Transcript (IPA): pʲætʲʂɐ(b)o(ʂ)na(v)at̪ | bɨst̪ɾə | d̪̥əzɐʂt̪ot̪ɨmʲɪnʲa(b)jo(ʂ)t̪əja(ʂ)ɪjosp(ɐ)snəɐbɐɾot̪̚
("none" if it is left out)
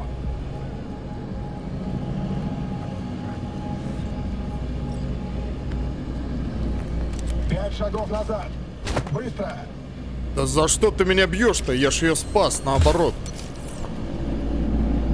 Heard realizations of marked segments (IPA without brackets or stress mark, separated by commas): ɡ, f, z, b, ʂ, ʂ, a